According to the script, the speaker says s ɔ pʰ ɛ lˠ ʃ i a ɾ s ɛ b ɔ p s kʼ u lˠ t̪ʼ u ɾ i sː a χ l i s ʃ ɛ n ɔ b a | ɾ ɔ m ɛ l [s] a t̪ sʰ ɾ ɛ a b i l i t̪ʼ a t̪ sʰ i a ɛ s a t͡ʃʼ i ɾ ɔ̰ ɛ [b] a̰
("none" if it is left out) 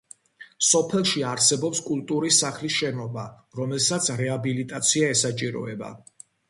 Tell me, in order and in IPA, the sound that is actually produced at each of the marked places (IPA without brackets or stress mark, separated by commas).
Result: s, b